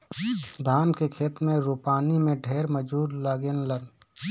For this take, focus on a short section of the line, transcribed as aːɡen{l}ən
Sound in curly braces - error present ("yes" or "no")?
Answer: no